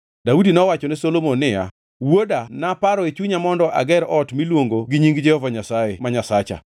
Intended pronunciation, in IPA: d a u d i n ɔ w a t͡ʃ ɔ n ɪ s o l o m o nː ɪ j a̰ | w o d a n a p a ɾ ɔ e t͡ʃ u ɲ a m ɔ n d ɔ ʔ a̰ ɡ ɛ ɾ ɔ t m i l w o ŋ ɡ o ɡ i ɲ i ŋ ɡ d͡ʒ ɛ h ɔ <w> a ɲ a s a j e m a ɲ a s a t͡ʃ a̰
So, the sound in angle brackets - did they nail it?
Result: no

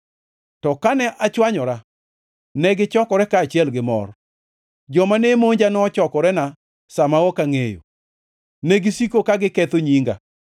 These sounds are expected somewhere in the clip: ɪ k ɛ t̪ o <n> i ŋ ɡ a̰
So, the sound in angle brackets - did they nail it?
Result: no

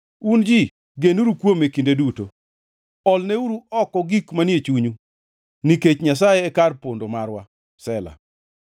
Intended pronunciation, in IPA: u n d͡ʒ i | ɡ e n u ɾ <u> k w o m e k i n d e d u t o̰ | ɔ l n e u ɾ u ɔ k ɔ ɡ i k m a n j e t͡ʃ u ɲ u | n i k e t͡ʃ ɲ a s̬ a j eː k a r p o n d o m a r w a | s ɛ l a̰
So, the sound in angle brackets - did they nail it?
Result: yes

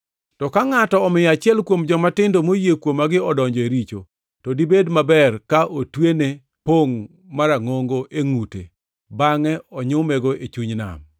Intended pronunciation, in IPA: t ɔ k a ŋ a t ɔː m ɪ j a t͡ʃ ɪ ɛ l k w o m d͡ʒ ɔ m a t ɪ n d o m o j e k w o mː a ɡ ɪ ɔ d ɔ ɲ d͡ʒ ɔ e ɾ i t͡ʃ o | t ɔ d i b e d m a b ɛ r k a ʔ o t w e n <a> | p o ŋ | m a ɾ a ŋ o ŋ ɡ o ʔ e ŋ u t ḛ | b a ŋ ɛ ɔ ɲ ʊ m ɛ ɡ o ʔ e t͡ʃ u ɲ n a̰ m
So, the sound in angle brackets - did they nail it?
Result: no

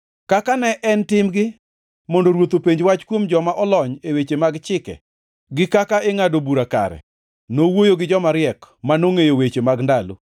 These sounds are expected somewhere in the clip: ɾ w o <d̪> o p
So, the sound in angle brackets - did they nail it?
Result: no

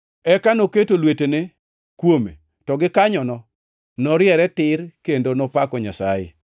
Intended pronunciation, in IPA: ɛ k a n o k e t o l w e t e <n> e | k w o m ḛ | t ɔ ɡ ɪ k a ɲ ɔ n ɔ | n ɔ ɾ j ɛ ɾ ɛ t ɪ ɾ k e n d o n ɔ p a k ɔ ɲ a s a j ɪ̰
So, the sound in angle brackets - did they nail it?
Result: yes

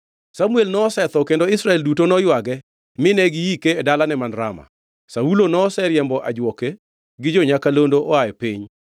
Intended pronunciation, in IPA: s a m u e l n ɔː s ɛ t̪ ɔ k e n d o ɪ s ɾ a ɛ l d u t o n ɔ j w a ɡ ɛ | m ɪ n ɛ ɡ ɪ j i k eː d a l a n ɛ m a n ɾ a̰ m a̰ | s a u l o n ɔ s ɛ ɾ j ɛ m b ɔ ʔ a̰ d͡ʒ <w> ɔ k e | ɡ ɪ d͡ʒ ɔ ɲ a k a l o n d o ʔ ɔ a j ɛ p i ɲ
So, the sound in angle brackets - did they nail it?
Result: yes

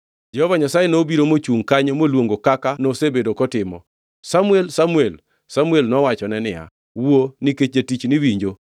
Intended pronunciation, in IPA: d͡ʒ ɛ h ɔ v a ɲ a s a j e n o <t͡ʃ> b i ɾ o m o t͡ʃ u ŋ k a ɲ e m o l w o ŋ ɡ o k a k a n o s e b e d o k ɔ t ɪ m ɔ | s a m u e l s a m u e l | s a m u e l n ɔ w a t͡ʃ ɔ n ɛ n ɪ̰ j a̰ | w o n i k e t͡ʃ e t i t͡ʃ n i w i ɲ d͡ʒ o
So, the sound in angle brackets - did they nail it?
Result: no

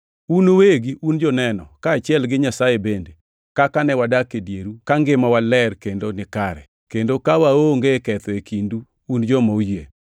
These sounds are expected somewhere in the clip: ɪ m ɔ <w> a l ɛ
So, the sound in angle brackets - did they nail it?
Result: yes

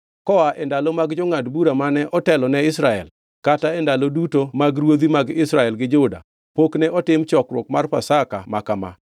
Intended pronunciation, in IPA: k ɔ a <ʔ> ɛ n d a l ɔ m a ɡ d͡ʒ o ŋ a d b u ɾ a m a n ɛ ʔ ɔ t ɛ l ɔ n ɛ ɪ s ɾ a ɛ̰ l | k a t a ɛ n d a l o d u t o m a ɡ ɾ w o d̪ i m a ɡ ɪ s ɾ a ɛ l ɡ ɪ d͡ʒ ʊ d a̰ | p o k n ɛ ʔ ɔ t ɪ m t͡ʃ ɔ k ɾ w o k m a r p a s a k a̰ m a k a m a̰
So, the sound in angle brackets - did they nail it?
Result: yes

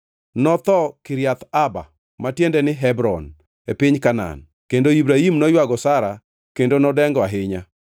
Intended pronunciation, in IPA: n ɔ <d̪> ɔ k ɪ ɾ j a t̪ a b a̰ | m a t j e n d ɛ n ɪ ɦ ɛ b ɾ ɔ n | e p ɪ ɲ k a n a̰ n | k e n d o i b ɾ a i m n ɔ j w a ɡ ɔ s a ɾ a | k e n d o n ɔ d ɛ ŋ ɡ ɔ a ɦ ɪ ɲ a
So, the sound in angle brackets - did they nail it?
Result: no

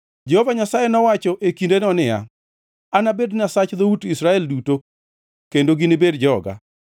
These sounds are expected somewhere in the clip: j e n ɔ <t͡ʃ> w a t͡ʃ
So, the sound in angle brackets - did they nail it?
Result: no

